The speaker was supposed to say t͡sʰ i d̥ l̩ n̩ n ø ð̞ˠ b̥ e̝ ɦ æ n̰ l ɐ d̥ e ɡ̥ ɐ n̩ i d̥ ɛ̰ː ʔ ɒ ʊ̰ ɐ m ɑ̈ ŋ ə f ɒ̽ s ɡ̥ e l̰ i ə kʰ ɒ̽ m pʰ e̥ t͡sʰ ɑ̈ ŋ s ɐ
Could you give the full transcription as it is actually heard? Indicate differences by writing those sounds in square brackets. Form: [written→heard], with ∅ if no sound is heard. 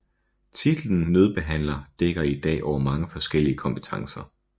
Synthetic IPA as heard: t͡sʰ i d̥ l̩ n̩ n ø ð̞ˠ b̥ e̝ ɦ æ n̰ l ɐ d̥ e ɡ̥ ɐ [n̩→∅] i d̥ ɛ̰ː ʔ ɒ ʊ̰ ɐ m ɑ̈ ŋ ə f ɒ̽ s ɡ̥ e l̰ i ə kʰ ɒ̽ m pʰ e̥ t͡sʰ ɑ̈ ŋ s ɐ